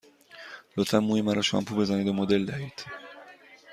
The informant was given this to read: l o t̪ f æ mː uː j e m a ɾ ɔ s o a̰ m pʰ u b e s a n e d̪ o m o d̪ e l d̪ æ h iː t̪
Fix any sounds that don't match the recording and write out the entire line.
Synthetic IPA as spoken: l o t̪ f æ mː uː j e m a ɾ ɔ ʃ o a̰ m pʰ u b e z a n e d̪ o m o d̪ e l d̪ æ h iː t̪

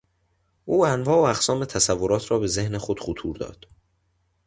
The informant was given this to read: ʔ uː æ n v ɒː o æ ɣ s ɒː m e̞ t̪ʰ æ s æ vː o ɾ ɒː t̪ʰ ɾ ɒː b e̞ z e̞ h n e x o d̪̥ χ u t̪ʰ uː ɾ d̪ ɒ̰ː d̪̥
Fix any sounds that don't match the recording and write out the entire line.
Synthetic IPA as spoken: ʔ uː æ n v ɒː o æ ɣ s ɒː m e̞ t̪ʰ æ s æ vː o ɾ ɒː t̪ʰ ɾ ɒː b e̞ z e̞ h n e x o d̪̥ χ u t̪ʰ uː ɾ d̪ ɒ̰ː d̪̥

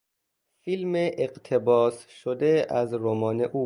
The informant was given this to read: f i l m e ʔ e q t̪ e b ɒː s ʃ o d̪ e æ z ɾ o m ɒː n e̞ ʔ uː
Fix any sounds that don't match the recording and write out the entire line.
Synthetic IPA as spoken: f i l m e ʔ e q t̪ʰ e b ɒː s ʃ o d̪ e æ z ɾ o m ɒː n e̞ ʔ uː

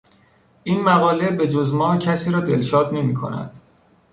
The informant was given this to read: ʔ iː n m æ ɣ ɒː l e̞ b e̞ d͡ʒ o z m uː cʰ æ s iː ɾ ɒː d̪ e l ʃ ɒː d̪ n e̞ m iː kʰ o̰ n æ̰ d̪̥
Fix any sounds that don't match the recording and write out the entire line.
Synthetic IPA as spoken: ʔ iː n m æ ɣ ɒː l e̞ b e̞ d͡ʒ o z m ɒː cʰ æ s iː ɾ ɒː d̪ e l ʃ ɒː d̪ n e̞ m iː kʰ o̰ n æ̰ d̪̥

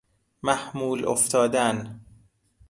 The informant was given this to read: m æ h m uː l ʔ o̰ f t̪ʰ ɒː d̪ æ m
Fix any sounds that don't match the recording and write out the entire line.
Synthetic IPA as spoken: m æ h m uː l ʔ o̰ f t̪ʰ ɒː d̪ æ n

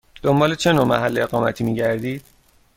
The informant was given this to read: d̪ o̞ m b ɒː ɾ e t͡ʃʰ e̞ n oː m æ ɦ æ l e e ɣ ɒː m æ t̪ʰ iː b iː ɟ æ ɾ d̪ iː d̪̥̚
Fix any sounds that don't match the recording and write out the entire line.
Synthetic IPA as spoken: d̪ o̞ m b ɒː l e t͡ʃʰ e̞ n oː m æ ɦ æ lː e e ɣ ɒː m æ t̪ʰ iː m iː ɟ æ ɾ d̪ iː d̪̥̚

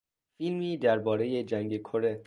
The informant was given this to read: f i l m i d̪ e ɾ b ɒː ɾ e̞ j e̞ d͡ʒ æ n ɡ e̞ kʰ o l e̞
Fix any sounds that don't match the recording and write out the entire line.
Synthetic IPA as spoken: f i l m iː d̪ æ ɾ b ɒː ɾ e̞ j e̞ d͡ʒ æ ŋ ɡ e̞ kʰ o ɾ e̞

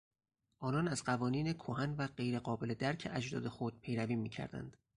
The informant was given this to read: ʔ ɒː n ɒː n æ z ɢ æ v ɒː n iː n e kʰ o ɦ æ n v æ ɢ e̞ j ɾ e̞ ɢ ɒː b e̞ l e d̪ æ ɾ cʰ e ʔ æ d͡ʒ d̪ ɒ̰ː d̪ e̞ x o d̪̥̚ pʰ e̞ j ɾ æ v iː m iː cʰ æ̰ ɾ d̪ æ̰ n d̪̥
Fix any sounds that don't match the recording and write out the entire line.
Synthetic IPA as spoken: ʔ ɒː n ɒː n æ z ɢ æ v ɒː n iː n e kʰ o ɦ æ n v æ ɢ e̞ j ɾ e̞ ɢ ɒː b e̞ l e d̪ æ ɾ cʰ e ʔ æ d͡ʒ d̪ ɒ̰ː d̪ e̞ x o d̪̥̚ pʰ e̞ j ɾ æ v iː m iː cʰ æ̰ ɾ d̪ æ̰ n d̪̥

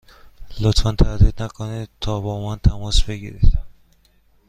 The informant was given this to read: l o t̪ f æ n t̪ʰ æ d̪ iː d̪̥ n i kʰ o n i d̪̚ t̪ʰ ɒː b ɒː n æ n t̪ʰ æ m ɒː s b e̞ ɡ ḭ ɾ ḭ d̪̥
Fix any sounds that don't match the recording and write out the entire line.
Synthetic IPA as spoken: l o t̪ f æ n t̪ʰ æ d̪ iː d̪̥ n æ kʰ o n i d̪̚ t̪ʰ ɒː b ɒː m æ n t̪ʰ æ m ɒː s b e̞ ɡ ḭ ɾ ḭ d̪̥

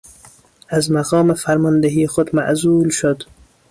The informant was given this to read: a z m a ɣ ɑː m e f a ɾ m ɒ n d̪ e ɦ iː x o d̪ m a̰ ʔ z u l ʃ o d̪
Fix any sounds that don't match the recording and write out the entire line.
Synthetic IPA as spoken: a z m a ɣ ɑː m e f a ɾ m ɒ n d̪ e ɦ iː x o d̪ m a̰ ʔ z u l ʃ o d̪

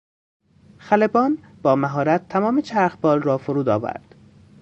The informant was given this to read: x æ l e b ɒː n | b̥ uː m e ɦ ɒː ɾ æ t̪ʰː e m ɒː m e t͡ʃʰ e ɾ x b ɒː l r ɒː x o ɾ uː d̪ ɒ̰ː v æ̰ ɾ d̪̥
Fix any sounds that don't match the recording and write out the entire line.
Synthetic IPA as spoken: x æ l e b ɒː n | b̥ ɒː m æ ɦ ɒː ɾ æ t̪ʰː æ m ɒː m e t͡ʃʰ æ ɾ x b ɒː l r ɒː f o ɾ uː d̪ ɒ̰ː v æ̰ ɾ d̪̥

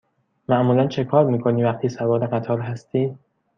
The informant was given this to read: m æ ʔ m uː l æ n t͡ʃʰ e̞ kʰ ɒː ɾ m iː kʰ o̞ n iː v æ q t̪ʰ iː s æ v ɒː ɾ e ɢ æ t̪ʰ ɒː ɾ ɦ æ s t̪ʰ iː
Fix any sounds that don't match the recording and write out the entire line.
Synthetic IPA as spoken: m æ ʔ m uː l æ n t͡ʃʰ e̞ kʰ ɒː ɾ m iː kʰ o̞ n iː v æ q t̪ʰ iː s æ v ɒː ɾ e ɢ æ t̪ʰ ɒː ɾ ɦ æ s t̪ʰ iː

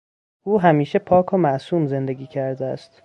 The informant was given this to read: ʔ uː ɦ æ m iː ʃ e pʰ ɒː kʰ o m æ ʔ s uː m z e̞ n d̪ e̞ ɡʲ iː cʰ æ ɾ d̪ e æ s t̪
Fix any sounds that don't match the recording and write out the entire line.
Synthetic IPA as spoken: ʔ uː ɦ æ m iː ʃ e pʰ ɒː kʰ o m æ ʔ s uː m z e̞ n d̪ e̞ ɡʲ iː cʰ æ ɾ d̪ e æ s t̪

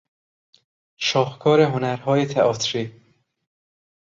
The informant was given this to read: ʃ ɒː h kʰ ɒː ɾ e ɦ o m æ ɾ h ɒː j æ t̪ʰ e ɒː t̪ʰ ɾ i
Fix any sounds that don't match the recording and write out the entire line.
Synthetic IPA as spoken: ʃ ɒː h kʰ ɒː ɾ e ɦ o n æ ɾ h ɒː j e t̪ʰ e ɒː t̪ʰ ɾ i

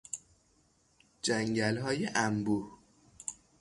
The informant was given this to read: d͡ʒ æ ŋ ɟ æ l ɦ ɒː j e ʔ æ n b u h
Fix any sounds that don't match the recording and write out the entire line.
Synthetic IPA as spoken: d͡ʒ æ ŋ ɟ æ l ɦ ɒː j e ʔ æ m b u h

